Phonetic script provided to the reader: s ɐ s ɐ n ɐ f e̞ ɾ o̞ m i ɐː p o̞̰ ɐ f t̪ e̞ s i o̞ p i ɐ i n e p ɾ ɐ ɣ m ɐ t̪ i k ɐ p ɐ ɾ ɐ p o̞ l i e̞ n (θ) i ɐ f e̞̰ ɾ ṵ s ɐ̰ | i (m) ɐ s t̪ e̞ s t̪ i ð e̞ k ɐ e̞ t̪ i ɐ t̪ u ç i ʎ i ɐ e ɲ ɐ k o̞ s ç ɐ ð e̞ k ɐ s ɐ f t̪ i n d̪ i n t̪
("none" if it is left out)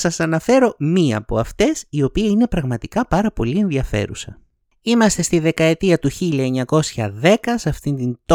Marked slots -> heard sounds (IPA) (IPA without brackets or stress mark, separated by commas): ð, m